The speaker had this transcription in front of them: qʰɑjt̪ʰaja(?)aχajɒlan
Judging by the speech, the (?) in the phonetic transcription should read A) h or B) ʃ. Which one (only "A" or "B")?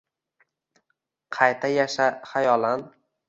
B